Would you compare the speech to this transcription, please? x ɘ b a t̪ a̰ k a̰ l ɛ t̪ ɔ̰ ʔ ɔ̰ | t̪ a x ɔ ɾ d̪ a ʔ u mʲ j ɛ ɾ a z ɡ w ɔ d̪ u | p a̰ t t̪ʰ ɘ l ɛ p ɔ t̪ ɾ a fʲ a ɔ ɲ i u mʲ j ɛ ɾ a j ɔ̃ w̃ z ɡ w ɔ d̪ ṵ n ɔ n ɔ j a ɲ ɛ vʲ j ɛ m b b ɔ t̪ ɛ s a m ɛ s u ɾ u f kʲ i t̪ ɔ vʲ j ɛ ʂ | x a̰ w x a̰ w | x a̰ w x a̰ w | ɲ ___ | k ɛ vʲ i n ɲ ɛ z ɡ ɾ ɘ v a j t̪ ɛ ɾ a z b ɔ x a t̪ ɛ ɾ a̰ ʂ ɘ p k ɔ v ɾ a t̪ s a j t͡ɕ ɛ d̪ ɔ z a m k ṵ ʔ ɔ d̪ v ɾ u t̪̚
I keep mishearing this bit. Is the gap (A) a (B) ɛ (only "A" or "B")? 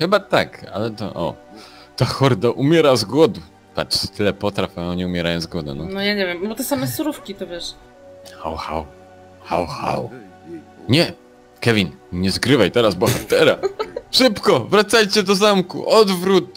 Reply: B